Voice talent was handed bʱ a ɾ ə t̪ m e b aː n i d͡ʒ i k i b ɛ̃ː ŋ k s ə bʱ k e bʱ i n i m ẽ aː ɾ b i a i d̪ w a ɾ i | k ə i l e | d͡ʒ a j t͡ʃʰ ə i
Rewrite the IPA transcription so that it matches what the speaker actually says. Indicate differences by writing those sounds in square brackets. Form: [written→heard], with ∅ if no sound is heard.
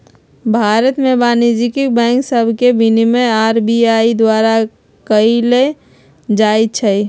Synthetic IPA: bʱ a ɾ ə t̪ m e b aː n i d͡ʒ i k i b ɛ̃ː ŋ k s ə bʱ k e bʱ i n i m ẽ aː ɾ b i a i d̪ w a ɾ [i→a] | k ə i l e | d͡ʒ a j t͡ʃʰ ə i